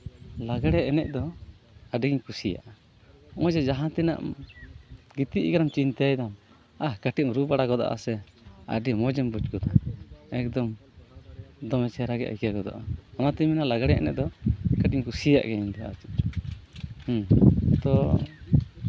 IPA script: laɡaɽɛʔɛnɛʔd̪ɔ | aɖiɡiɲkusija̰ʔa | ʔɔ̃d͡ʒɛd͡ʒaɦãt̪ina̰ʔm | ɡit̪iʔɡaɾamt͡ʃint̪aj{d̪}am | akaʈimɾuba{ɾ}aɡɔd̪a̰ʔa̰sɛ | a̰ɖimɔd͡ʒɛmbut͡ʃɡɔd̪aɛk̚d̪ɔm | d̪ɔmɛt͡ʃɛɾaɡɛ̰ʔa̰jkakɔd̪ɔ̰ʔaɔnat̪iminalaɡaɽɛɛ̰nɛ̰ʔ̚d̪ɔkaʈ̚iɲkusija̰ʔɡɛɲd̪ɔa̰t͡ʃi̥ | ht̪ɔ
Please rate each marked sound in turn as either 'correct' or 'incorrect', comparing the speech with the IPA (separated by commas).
correct, incorrect